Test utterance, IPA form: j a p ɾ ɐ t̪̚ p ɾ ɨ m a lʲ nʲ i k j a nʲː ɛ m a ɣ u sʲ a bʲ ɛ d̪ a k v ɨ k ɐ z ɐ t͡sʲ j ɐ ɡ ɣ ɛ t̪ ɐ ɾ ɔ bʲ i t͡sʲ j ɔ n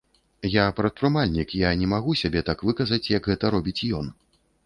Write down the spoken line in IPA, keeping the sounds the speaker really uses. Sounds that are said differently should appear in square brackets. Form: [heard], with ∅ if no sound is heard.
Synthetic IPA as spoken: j a p ɾ ɐ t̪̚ p ɾ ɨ m a lʲ nʲ i k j a [nʲ] ɛ m a ɣ u sʲ a bʲ ɛ [t̪] a k v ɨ k ɐ z ɐ t͡sʲ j ɐ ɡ ɣ ɛ t̪ ɐ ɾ ɔ bʲ i t͡sʲ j ɔ n